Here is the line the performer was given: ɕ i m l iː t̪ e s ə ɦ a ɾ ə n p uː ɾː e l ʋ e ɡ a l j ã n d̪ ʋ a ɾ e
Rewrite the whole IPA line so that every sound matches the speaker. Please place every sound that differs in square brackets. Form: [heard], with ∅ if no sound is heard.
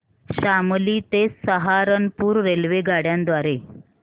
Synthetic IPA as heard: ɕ [a] m l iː t̪ e s ə ɦ a ɾ ə n p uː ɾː e l ʋ e ɡ a [ɽ] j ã n d̪ ʋ a ɾ e